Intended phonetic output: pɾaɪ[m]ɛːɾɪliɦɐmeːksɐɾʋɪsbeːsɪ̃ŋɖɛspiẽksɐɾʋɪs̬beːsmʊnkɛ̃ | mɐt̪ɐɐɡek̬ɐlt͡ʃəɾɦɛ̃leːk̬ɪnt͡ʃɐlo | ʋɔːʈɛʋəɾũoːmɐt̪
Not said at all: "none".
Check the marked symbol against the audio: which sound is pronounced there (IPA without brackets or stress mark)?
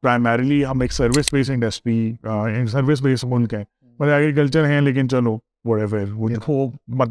m